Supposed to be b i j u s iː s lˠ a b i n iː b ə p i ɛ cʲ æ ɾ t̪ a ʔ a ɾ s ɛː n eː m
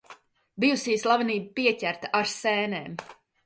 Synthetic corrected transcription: b i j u s iː s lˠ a v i n iː b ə p i ɛ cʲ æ ɾ t̪ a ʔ a ɾ s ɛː n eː m